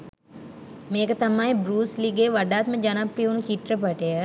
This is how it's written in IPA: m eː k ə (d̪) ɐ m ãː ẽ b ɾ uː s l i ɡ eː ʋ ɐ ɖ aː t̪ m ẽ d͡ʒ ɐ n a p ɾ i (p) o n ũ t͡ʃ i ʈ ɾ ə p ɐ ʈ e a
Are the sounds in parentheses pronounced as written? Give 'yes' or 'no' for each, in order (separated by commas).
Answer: no, no